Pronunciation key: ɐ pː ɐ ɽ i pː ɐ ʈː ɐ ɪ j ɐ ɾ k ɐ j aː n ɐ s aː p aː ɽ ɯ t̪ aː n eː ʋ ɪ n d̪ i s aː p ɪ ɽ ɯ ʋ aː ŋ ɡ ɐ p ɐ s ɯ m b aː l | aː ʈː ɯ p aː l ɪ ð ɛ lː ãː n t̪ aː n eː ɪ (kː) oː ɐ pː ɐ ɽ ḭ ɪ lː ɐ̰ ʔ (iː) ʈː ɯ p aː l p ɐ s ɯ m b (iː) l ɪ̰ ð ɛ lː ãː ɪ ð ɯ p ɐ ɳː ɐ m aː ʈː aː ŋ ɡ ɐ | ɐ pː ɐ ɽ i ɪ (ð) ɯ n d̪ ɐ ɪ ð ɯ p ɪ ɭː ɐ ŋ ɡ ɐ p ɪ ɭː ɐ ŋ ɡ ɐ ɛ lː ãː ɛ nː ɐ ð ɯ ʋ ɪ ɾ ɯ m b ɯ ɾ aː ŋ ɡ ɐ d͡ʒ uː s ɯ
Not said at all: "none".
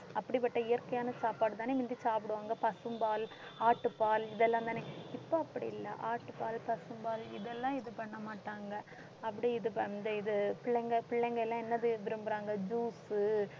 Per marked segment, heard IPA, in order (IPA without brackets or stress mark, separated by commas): pː, aː, aː, ð